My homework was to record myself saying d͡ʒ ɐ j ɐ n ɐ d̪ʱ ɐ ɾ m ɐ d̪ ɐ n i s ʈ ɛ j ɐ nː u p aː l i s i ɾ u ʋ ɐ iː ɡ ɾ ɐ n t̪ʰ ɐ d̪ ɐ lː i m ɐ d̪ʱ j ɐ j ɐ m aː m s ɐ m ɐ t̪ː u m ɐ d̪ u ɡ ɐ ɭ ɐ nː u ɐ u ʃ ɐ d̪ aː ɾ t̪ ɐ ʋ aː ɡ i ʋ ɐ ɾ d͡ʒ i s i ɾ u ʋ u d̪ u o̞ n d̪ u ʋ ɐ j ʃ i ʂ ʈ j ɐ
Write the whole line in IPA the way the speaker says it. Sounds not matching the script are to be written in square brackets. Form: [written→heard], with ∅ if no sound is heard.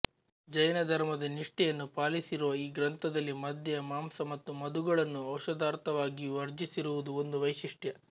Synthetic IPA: d͡ʒ ɐ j ɐ n ɐ d̪ʱ ɐ ɾ m ɐ d̪ ɐ n i [s→ʂ] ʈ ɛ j ɐ nː u p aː l i s i ɾ u ʋ ɐ iː ɡ ɾ ɐ n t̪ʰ ɐ d̪ ɐ lː i m ɐ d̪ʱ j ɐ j ɐ m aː m s ɐ m ɐ t̪ː u m ɐ d̪ u ɡ ɐ ɭ ɐ nː u ɐ [u→w] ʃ ɐ d̪ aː ɾ t̪ ɐ ʋ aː ɡ i ʋ ɐ ɾ d͡ʒ i s i ɾ u ʋ u d̪ u o̞ n d̪ u ʋ ɐ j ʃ i ʂ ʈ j ɐ